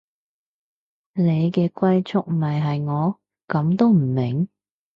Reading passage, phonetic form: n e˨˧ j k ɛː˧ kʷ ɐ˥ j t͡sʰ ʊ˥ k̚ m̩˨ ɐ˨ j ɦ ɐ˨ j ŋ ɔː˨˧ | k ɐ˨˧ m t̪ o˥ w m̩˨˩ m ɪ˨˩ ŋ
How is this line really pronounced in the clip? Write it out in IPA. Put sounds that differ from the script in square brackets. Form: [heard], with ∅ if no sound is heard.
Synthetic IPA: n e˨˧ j k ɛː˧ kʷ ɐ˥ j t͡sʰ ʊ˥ k̚ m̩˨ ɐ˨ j ɦ ɐ˨ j ŋ ɔː˨˧ | k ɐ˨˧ m t̪ o˥ w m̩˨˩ m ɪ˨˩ ŋ